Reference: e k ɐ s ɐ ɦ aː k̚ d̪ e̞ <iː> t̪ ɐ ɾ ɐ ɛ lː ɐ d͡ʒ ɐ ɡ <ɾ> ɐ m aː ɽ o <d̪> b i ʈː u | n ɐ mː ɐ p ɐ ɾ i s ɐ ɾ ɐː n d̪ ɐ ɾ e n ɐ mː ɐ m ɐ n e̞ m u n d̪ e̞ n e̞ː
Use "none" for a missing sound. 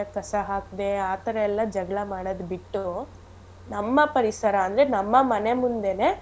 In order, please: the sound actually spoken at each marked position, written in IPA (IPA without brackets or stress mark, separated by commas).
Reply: aː, ɭ, d̪